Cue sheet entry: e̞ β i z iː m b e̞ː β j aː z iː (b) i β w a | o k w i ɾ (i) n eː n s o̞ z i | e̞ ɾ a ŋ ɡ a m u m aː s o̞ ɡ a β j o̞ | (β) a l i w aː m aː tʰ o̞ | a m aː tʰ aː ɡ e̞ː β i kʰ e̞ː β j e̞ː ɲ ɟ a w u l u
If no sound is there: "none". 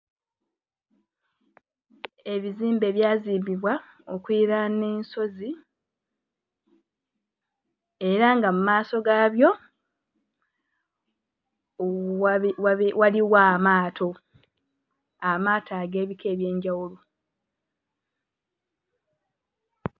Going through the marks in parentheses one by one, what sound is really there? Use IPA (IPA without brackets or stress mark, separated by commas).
b, a, w